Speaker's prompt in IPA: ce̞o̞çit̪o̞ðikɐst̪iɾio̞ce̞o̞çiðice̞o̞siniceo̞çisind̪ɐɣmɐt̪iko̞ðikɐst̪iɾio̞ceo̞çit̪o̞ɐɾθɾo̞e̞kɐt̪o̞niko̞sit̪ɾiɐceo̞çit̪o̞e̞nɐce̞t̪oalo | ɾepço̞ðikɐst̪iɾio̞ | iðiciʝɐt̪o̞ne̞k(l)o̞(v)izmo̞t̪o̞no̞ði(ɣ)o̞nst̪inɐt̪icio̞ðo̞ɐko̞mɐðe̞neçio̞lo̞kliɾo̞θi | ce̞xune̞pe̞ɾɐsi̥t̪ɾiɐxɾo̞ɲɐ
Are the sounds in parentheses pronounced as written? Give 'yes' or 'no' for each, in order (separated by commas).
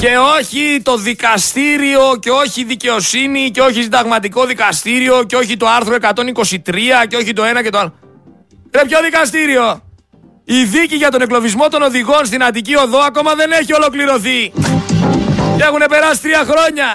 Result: yes, yes, yes